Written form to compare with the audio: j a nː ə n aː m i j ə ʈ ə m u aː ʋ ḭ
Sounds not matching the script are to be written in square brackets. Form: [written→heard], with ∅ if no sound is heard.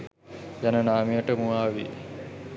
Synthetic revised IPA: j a [nː→n] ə n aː m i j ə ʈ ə m u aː ʋ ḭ